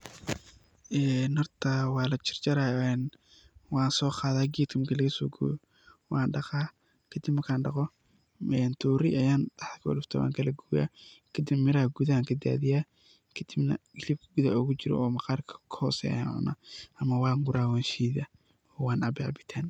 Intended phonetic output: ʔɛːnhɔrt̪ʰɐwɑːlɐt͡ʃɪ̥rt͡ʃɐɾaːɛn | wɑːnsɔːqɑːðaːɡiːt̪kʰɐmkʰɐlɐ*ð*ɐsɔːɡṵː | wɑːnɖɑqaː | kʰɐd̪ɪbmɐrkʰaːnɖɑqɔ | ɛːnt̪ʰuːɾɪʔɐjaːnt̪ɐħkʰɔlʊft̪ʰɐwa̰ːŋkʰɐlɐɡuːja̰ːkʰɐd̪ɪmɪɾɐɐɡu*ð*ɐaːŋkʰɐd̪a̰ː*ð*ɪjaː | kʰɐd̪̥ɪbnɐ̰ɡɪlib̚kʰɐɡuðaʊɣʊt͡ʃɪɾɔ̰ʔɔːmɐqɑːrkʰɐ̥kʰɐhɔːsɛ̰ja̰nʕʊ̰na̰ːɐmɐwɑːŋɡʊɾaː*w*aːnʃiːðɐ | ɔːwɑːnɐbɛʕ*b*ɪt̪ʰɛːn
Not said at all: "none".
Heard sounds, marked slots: ɣ, ð, ð, w, b

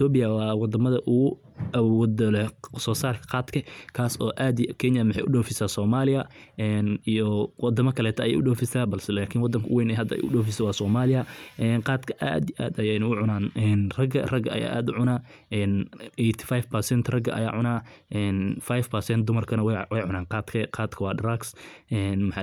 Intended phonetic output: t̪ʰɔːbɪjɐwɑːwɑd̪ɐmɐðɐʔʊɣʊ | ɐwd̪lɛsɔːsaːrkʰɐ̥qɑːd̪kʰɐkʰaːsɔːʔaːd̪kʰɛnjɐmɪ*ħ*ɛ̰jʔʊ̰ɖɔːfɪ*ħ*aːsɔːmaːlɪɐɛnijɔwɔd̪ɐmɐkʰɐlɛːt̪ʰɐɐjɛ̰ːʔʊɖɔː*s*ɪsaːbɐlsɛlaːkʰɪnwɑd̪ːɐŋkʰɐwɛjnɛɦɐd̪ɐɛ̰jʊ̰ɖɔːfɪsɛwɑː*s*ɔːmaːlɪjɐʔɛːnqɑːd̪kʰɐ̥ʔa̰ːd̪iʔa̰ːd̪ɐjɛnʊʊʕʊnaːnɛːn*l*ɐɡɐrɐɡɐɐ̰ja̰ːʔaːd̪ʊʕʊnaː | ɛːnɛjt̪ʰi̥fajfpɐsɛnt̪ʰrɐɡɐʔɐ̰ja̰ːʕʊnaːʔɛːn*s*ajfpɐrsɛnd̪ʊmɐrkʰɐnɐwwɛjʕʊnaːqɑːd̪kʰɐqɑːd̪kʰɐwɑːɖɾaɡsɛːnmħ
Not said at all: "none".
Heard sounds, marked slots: ħ, s, f, s, r, f

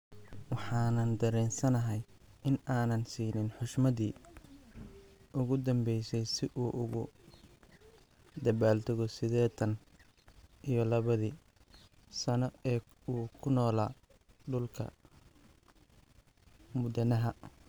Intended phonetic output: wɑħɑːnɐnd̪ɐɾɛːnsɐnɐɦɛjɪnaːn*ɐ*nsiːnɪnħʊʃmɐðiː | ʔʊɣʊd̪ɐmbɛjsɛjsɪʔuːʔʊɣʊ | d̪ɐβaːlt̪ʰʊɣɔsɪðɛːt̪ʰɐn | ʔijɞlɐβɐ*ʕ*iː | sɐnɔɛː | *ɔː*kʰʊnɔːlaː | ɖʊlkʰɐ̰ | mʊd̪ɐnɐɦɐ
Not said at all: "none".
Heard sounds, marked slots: ɐ, ð, uː

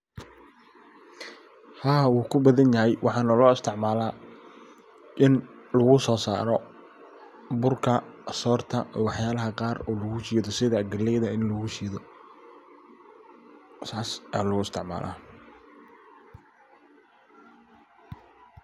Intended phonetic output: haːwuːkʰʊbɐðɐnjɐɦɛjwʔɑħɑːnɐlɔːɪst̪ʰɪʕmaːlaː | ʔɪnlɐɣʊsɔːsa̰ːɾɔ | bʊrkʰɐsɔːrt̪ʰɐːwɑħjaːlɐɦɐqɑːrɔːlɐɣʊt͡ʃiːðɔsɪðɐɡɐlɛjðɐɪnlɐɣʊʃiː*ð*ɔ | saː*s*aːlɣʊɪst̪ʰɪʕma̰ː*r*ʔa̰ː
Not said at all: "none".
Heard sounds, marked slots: ð, s, l

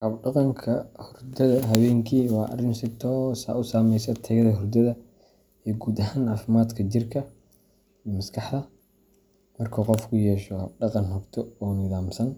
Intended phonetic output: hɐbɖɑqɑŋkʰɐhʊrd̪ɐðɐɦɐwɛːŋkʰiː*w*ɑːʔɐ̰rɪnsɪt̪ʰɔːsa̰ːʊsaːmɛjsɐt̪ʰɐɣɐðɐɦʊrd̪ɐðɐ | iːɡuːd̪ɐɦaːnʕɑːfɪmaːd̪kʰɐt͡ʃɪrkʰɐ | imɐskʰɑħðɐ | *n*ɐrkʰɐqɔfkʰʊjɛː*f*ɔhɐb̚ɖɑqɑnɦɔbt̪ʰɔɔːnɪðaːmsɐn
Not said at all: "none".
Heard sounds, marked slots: w, m, ʃ

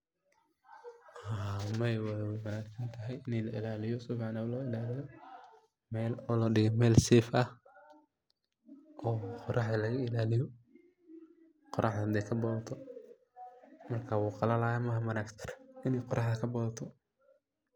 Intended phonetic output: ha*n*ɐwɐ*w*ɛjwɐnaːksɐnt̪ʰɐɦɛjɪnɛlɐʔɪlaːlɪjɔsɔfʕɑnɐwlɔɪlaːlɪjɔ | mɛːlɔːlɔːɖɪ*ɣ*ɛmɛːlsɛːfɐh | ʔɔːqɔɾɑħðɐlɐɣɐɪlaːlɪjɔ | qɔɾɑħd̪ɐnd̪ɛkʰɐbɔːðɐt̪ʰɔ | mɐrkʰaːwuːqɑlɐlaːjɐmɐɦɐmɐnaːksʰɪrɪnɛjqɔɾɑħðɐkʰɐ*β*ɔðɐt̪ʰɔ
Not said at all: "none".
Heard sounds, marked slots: m, w, ɣ, b

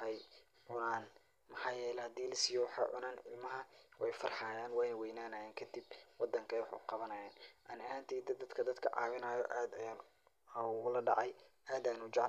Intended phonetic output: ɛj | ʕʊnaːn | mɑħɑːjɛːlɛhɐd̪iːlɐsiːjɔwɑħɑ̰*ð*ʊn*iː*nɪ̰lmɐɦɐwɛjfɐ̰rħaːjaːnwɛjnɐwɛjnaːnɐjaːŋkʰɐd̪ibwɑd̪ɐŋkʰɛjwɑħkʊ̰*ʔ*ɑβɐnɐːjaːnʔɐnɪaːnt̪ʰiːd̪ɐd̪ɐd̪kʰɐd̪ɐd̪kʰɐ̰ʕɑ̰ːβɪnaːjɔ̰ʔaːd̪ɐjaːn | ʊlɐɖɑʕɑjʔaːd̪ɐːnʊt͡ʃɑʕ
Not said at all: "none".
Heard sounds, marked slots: ʕ, aː, q

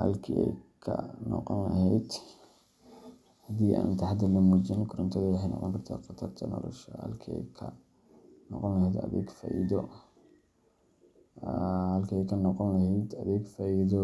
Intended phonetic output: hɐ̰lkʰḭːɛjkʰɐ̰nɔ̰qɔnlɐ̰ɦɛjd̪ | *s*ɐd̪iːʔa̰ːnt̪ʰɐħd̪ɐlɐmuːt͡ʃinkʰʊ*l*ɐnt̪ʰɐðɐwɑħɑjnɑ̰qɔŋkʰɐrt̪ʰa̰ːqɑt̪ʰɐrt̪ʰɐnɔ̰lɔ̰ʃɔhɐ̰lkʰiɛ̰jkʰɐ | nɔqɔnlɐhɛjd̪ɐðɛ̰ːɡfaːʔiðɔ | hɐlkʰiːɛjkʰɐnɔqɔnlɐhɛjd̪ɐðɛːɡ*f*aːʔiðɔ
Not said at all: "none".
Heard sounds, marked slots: h, ɾ, f

